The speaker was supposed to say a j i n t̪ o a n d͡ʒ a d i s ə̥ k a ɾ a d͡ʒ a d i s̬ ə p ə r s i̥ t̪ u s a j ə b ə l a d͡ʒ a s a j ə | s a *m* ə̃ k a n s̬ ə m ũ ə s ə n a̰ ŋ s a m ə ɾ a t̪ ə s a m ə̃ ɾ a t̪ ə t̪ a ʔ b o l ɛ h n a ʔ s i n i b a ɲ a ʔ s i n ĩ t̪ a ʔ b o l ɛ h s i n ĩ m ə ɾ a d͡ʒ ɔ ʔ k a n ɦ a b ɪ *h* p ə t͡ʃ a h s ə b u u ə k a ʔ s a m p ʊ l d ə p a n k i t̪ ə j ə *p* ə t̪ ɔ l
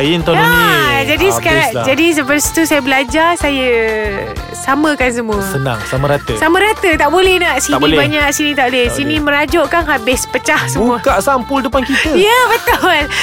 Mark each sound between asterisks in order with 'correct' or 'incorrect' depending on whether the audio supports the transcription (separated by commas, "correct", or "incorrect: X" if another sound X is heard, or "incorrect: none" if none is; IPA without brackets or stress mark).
correct, incorrect: s, incorrect: b